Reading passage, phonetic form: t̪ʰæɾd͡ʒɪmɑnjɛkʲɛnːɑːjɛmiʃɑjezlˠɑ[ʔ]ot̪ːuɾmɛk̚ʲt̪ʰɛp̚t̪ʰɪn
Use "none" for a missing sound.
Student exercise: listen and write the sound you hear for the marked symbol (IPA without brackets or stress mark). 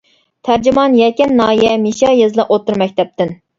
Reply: ʔ